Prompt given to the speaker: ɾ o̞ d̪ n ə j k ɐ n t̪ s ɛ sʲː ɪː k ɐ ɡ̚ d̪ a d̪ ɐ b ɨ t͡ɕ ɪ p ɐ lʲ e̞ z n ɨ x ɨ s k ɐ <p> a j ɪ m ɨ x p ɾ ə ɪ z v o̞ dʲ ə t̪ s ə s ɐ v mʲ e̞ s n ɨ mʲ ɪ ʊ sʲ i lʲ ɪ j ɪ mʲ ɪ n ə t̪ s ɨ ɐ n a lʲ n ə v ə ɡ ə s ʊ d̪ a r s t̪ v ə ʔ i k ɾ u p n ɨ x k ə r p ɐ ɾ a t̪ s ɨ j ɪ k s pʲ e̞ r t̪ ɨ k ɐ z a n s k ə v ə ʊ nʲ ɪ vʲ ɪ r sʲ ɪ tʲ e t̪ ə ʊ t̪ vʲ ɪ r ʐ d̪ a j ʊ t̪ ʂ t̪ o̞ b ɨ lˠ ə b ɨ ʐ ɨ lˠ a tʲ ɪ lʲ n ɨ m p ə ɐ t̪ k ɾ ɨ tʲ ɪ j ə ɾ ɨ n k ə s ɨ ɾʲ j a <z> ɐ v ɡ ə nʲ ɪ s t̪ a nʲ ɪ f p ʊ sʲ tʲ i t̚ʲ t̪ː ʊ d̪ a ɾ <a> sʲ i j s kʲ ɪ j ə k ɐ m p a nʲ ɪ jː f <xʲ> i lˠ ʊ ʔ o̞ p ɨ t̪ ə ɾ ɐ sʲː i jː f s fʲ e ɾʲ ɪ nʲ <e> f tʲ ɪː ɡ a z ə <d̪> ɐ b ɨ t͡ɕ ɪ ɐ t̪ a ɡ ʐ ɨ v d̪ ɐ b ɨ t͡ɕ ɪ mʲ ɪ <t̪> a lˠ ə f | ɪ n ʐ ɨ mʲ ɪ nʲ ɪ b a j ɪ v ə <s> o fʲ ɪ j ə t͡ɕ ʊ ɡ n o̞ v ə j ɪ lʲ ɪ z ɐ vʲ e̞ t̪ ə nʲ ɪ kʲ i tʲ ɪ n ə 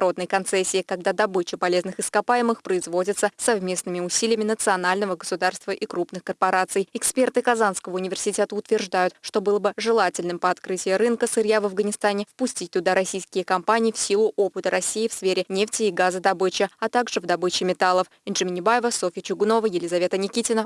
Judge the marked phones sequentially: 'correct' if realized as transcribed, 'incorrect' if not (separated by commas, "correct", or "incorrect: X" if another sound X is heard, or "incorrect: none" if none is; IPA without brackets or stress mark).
correct, incorrect: v, incorrect: ɐ, incorrect: sʲ, correct, correct, correct, correct